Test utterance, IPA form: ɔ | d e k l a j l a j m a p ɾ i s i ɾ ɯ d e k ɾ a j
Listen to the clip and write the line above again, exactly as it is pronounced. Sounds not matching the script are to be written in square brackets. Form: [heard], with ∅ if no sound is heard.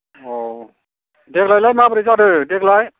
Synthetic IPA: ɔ | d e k l a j l a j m a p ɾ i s [a] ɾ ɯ d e k [l] a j